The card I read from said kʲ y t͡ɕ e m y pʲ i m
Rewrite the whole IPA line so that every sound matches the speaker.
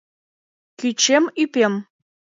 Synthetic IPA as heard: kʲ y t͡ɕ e m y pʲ e m